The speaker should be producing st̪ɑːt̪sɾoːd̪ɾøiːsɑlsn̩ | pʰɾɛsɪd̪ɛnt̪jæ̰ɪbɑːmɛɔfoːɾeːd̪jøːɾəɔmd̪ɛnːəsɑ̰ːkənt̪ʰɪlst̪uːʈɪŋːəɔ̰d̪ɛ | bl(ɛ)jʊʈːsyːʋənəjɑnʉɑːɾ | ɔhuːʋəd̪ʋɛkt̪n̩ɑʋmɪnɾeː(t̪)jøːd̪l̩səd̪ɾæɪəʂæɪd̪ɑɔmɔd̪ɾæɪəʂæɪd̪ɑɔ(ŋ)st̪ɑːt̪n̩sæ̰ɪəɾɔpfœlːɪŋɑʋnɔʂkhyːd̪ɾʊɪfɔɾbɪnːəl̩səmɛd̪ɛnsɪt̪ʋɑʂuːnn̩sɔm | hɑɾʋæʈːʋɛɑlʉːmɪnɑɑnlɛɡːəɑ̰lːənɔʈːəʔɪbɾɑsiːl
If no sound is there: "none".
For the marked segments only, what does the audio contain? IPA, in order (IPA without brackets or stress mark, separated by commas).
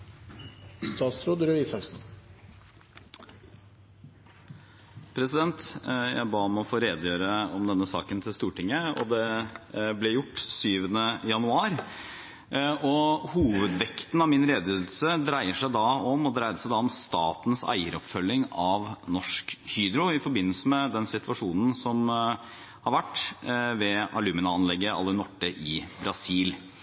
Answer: ɛ, d̪, m